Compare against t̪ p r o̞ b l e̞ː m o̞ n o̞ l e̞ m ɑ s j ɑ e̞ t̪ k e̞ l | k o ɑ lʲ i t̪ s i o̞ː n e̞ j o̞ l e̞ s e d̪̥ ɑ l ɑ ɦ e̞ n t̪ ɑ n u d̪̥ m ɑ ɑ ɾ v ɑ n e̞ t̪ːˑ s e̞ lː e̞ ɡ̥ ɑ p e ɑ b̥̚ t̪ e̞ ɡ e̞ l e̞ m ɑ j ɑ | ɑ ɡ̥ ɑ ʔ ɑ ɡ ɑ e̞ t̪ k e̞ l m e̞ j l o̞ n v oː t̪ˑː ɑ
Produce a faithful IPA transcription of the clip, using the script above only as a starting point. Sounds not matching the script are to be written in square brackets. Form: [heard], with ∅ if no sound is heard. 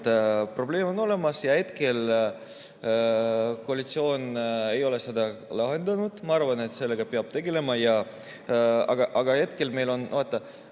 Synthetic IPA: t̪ p r o̞ b l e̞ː m o̞ n o̞ l e̞ m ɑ s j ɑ e̞ t̪ k e̞ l | k o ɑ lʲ i t̪ s i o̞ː n e̞ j o̞ l e̞ s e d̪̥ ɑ l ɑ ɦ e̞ n [d̪] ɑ n u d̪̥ m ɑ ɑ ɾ v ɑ n e̞ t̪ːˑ s e̞ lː e̞ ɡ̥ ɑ p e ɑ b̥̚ t̪ e̞ ɡ e̞ l e̞ m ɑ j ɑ | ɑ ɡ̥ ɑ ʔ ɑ ɡ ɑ e̞ t̪ k e̞ l m e̞ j l o̞ n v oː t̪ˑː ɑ